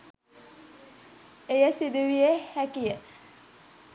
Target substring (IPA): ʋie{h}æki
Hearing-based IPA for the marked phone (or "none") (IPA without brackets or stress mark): h